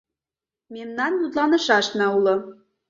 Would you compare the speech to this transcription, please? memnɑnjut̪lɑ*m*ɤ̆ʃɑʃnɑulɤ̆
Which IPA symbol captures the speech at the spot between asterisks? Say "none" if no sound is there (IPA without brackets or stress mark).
n